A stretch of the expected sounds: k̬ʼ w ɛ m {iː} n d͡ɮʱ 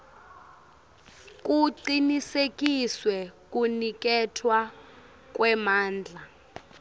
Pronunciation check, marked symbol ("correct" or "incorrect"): incorrect